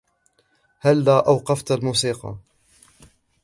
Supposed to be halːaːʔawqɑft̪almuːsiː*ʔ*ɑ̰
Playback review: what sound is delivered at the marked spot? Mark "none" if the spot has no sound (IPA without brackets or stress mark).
q